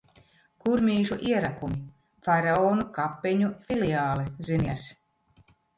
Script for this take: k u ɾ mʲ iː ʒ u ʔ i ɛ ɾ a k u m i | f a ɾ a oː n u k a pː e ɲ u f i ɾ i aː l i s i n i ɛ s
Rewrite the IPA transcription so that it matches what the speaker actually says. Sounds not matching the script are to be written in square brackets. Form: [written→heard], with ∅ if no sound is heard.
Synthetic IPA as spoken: k u ɾ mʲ iː ʒ u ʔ i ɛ ɾ a k u m i | f a ɾ a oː n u k a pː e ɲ u f i [ɾ→l] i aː l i [s→z] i n i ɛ s